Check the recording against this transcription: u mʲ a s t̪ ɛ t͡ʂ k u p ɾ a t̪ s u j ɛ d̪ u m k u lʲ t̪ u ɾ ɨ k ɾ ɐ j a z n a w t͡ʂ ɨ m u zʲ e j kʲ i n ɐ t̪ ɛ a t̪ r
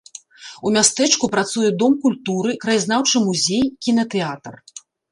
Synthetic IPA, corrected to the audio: u mʲ a s t̪ ɛ t͡ʂ k u p ɾ a t̪ s u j ɛ d̪ ɔ m k u lʲ t̪ u ɾ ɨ k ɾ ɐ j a z n a w t͡ʂ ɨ m u zʲ e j kʲ i n ɐ t̪ ɛ a t̪ r